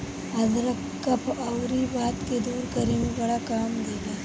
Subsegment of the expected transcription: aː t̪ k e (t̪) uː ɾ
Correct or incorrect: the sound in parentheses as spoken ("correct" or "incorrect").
incorrect